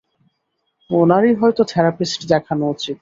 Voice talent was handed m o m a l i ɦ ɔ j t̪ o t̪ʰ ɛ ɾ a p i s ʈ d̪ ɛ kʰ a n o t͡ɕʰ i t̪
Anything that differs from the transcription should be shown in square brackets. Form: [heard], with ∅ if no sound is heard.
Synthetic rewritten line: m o [n] a [ɾ] i ɦ ɔ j t̪ o t̪ʰ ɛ ɾ a p i s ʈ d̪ ɛ kʰ a n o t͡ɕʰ i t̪